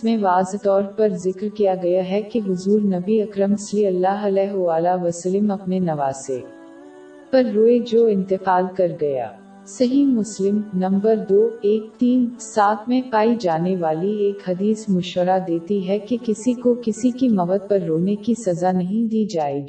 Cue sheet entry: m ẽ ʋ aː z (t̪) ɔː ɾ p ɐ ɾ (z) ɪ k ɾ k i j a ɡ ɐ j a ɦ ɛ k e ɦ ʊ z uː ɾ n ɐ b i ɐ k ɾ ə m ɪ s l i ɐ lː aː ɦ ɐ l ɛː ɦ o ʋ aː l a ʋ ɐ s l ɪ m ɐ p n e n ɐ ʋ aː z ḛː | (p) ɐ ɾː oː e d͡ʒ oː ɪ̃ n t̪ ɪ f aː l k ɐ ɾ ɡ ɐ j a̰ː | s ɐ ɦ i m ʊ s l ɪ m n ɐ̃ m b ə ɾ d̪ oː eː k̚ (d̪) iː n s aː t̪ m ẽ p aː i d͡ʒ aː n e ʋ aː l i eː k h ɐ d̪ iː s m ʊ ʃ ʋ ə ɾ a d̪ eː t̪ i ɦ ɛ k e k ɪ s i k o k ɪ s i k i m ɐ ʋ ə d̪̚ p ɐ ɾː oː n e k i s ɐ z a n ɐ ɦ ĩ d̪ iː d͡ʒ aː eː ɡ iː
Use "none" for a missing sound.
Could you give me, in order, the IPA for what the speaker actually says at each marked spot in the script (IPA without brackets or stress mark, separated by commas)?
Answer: t̪, z, p, t̪